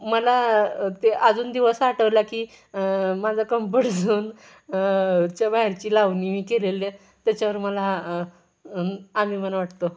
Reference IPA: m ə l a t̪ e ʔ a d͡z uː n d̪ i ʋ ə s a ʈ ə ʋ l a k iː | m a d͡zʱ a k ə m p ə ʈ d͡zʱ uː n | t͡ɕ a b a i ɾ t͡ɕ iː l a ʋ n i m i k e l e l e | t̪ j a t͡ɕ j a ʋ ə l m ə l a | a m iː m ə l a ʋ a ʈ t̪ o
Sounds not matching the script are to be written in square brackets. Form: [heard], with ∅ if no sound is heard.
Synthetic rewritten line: m ə l a t̪ e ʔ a d͡z uː n d̪ i ʋ ə s a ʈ ə ʋ l a k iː | m a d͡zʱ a k ə m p ə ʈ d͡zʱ uː n | t͡ɕ a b a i ɾ t͡ɕ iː l a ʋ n i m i k e l e l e | t̪ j a t͡ɕ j a ʋ ə [ɾ] m ə l a | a m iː m ə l a ʋ a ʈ t̪ o